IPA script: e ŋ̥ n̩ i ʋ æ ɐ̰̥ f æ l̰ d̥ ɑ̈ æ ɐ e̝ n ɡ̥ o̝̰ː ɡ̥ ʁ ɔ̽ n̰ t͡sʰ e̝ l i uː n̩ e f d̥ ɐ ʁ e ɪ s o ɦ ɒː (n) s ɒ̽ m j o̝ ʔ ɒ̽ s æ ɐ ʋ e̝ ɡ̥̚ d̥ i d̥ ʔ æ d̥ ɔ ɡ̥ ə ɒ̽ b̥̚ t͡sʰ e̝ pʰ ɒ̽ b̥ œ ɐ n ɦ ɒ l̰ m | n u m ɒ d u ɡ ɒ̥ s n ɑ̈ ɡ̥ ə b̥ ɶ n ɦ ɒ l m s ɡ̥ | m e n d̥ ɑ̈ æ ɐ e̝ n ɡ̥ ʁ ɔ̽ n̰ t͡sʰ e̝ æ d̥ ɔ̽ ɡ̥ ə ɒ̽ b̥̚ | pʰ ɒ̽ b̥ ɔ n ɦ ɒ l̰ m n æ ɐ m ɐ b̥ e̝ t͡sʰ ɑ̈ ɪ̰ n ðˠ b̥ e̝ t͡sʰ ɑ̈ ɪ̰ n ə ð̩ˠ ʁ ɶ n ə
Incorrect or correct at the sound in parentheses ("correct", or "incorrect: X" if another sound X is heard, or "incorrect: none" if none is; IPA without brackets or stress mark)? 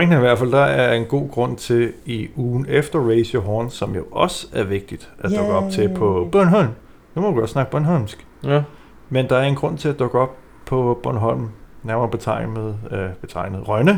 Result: correct